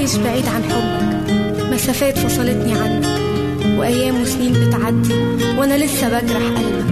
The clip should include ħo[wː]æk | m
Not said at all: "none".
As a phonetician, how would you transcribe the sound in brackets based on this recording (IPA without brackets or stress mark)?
bː